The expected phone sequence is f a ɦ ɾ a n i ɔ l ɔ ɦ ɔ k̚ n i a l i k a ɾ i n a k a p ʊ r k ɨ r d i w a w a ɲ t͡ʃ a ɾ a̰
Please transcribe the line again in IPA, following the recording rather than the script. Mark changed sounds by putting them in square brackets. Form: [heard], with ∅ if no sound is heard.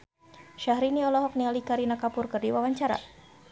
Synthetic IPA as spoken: [ʃ] a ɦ ɾ [i] n i ɔ l ɔ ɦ ɔ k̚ n i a l i k a ɾ i n a k a p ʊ r k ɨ r d i w a w a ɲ t͡ʃ a ɾ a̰